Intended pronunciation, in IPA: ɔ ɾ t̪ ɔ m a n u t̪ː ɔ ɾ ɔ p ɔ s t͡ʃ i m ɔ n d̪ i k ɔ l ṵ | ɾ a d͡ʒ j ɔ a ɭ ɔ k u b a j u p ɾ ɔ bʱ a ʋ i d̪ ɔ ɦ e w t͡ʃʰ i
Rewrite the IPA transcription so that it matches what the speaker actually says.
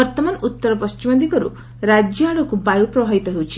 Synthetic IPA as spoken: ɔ ɾ t̪ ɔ m a n u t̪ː ɔ ɾ ɔ p ɔ s t͡ʃ i m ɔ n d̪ i k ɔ ɾ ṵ | ɾ a d͡ʒ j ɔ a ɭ ɔ k u b a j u p ɾ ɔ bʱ a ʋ i t̪ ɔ ɦ e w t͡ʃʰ i